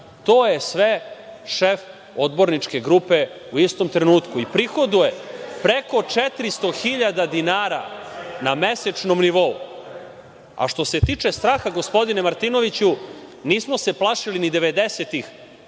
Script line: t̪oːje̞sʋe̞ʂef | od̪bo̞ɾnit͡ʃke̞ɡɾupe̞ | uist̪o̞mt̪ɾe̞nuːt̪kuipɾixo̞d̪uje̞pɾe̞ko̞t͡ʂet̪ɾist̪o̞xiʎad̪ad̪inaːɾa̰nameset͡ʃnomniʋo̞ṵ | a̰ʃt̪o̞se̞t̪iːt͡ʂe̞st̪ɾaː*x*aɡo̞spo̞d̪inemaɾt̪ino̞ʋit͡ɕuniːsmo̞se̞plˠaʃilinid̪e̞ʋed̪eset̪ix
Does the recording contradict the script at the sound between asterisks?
no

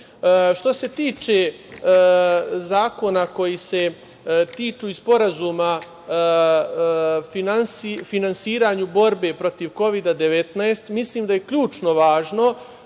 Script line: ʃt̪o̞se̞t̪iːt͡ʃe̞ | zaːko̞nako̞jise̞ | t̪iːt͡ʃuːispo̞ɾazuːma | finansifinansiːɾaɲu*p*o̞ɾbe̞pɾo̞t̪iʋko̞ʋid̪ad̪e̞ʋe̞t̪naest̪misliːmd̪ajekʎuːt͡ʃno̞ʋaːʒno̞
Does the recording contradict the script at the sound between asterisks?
yes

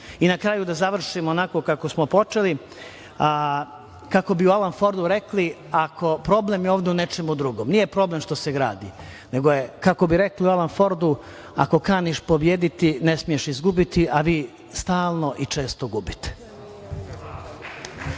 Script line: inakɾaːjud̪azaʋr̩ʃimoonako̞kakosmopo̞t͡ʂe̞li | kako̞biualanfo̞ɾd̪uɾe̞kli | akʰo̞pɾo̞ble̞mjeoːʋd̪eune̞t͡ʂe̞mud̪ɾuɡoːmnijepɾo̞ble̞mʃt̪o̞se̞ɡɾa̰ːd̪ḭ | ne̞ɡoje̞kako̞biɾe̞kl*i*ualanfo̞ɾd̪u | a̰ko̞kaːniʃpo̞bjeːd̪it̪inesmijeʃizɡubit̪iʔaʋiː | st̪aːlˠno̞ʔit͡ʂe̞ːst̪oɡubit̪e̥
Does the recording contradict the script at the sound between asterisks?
no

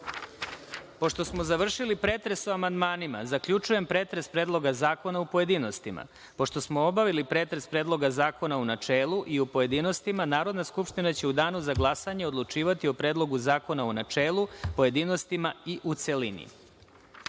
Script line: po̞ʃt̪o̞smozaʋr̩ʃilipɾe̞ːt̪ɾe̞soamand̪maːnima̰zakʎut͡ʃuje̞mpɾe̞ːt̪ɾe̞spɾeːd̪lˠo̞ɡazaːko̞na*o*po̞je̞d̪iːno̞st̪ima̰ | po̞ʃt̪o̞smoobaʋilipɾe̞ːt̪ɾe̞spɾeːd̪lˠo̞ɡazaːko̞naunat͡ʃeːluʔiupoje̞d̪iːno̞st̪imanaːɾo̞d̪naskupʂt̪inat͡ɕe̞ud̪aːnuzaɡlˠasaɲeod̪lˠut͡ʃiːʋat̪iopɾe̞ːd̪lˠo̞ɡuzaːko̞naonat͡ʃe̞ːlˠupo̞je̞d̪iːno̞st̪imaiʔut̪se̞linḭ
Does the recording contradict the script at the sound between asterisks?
yes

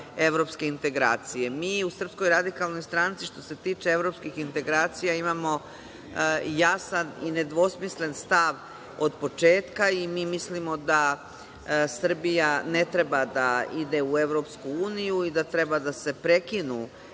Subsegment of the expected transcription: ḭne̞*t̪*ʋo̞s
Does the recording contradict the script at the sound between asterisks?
yes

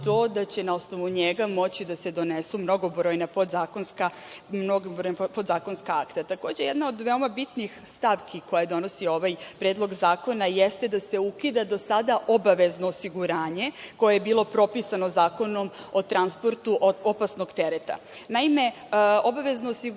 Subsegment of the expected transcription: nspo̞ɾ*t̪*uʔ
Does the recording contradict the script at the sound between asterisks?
no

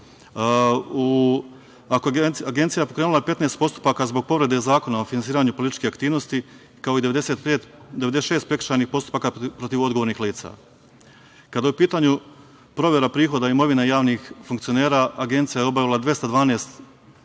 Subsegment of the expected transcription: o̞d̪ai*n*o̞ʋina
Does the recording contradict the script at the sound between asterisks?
yes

